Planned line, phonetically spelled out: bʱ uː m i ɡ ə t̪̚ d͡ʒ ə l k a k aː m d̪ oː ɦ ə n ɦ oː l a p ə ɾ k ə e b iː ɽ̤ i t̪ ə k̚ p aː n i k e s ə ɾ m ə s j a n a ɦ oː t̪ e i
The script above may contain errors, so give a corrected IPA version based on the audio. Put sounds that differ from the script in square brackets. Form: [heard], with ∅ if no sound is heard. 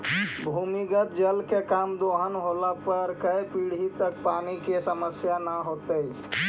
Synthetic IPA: bʱ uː m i ɡ ə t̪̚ d͡ʒ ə l k [e] k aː m d̪ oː ɦ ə n ɦ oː l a p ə ɾ k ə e [p] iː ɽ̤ i t̪ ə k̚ p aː n i k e s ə [∅] m ə s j a n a ɦ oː t̪ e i